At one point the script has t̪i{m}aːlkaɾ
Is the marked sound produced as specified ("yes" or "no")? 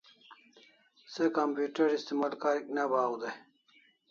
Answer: yes